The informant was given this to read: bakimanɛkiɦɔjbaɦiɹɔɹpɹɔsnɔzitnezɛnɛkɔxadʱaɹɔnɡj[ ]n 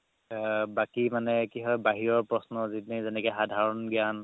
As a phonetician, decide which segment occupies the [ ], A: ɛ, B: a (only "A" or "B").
B